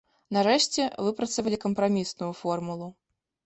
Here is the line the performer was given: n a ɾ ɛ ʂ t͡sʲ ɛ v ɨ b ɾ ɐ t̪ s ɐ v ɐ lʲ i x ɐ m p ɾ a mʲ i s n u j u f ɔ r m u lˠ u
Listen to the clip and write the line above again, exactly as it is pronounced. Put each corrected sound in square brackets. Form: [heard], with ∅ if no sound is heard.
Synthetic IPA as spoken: n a ɾ ɛ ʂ t͡sʲ ɛ v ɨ [p] ɾ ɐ t̪ s ɐ v ɐ lʲ i [k] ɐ m p ɾ a mʲ i s n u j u f ɔ r m u lˠ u